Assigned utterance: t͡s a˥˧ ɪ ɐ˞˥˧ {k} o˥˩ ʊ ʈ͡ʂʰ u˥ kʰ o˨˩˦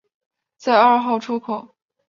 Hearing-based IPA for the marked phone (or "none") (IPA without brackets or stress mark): x